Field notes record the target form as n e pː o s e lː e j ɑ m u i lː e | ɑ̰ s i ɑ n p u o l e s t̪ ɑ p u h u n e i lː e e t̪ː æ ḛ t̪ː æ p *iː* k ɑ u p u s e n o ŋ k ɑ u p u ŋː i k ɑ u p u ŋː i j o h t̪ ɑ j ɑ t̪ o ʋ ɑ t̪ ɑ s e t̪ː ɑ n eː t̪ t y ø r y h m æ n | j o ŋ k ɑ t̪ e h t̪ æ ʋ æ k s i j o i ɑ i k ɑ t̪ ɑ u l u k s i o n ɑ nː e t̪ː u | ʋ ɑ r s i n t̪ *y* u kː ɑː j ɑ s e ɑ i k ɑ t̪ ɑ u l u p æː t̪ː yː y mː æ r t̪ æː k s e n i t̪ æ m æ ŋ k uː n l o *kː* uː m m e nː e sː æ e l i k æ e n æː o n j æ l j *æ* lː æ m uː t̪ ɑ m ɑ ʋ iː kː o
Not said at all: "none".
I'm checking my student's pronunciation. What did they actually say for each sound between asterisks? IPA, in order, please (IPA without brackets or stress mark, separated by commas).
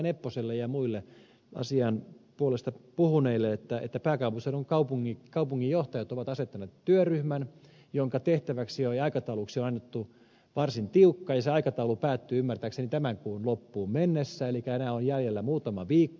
æː, i, pː, e